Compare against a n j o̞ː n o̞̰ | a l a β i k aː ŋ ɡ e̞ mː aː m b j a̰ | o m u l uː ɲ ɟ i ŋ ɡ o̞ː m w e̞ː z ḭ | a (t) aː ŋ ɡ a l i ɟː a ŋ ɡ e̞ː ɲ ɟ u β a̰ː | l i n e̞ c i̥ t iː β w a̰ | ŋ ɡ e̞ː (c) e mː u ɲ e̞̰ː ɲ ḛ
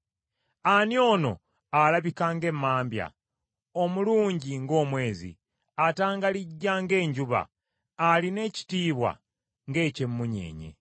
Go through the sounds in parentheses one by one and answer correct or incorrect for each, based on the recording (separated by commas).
correct, correct